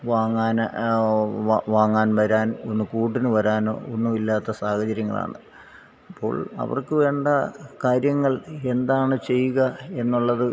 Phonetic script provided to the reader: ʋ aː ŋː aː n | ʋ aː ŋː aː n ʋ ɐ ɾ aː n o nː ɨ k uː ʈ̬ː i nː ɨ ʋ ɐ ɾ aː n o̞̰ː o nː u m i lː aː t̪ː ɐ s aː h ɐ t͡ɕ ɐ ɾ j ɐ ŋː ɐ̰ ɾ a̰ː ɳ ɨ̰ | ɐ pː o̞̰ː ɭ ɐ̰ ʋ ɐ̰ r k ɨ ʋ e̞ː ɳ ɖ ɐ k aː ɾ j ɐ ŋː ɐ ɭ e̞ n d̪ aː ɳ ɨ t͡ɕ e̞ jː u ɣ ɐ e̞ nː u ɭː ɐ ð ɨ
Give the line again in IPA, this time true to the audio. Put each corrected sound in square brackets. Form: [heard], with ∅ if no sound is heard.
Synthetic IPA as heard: ʋ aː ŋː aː n | ʋ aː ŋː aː n ʋ ɐ ɾ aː n o nː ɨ k uː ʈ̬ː i [n] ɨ ʋ ɐ ɾ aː n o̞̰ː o nː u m i lː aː t̪ː ɐ s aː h ɐ t͡ɕ ɐ ɾ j ɐ ŋː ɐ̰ [ɭ] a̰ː ɳ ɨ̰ | ɐ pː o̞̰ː ɭ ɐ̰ ʋ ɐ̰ r k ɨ ʋ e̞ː ɳ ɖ ɐ k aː ɾ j ɐ ŋː ɐ ɭ e̞ n d̪ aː ɳ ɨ t͡ɕ e̞ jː u ɣ ɐ e̞ nː u ɭː ɐ ð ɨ

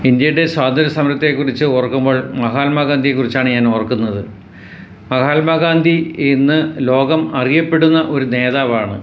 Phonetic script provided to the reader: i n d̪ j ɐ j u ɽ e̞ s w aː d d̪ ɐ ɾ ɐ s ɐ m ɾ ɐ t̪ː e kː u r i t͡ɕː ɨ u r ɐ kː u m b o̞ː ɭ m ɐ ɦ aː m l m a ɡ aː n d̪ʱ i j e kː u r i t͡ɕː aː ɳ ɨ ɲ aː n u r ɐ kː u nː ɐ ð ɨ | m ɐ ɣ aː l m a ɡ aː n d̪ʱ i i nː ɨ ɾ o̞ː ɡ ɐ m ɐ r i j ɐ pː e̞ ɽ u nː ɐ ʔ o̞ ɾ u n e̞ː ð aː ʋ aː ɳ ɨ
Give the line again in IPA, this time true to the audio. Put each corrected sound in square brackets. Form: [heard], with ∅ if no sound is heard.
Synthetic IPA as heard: i n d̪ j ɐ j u ɽ e̞ s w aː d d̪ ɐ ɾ ɐ s ɐ m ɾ ɐ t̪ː e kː u r i t͡ɕː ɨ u r ɐ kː u m b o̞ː ɭ m ɐ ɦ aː [∅] l m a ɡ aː n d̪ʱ i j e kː u r i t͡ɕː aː ɳ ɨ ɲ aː n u r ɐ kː u nː ɐ ð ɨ | m ɐ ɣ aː l m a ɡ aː n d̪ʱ i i nː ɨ [l] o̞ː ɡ ɐ m ɐ r i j ɐ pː e̞ ɽ u nː ɐ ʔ o̞ ɾ u n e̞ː ð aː ʋ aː ɳ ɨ

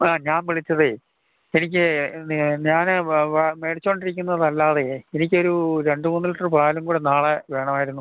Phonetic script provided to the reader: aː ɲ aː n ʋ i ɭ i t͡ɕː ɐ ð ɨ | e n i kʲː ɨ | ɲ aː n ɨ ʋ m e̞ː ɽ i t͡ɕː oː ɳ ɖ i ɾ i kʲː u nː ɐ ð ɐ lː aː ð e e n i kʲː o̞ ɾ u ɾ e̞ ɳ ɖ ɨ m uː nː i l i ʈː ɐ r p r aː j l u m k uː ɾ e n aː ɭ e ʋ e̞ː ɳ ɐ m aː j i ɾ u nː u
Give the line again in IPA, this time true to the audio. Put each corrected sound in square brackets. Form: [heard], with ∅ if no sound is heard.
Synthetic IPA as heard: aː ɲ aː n ʋ i ɭ i t͡ɕː ɐ ð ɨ | e n i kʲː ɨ | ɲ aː n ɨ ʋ m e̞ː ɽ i t͡ɕː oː ɳ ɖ i ɾ i kʲː u nː ɐ ð ɐ lː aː ð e e n i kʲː o̞ ɾ u ɾ e̞ ɳ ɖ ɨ m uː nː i l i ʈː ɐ r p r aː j l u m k uː [ɽ] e n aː ɭ e ʋ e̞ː ɳ ɐ m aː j i ɾ u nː u

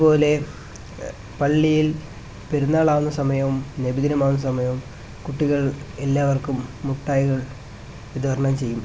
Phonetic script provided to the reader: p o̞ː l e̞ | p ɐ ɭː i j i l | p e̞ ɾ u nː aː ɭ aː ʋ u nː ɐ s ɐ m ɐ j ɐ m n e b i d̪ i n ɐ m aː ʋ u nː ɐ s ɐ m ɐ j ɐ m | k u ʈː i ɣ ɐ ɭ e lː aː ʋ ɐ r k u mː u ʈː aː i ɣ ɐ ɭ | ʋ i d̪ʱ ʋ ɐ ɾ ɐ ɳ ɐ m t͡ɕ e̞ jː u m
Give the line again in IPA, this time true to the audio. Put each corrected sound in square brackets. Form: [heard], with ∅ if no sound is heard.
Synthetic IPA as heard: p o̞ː l e̞ | p ɐ ɭː i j i l | p e̞ ɾ u nː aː ɭ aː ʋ u nː ɐ s ɐ m ɐ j ɐ m n e b i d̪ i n ɐ m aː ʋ u nː ɐ s ɐ m ɐ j ɐ m | k u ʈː i ɣ ɐ ɭ e lː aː ʋ ɐ r k u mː u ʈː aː [j] ɣ ɐ ɭ | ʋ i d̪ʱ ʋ ɐ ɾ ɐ ɳ ɐ m t͡ɕ e̞ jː u m

